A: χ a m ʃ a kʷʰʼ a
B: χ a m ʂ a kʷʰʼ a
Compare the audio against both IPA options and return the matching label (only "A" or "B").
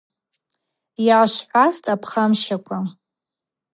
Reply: A